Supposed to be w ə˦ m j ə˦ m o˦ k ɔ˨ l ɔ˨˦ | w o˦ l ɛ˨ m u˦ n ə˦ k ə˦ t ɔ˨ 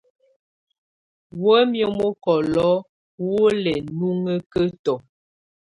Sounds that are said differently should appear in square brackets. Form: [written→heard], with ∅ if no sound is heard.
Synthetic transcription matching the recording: w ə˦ m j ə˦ m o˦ k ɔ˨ l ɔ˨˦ | w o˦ l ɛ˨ [m→n] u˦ [n→ŋ] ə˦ k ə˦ t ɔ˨